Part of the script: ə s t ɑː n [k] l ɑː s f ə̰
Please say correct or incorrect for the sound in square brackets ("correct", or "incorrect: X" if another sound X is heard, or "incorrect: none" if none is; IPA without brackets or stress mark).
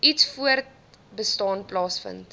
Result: incorrect: p